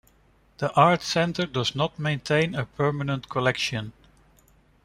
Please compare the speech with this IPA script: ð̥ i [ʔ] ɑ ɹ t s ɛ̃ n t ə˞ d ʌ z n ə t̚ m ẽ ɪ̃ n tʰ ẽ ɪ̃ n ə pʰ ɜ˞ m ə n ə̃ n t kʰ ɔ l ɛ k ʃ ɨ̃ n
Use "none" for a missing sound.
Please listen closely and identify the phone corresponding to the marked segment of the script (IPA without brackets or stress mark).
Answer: ʔ